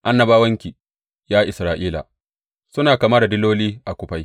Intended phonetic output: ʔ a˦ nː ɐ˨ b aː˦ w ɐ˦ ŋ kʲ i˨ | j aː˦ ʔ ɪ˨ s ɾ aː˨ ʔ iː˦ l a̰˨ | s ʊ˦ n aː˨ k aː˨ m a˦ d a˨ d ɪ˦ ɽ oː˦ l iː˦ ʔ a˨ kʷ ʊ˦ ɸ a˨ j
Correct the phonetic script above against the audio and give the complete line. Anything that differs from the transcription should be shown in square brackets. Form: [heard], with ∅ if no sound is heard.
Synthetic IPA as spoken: ʔ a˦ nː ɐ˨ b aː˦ w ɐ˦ ŋ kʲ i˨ | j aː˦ ʔ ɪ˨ s ɾ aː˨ ʔ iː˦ l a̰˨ | s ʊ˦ n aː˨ k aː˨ m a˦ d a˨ d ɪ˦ [l] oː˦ l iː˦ ʔ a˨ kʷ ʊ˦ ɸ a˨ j